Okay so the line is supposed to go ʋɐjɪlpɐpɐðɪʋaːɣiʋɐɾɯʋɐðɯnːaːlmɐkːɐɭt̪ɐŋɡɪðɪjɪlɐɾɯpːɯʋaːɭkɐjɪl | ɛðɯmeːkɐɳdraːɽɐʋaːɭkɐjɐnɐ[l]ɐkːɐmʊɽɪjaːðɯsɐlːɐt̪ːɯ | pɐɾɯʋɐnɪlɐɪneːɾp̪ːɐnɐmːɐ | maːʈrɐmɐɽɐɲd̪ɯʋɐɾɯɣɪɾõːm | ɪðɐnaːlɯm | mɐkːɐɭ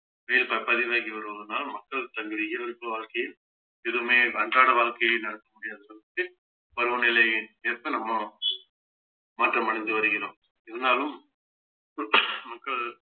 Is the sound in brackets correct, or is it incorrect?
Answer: incorrect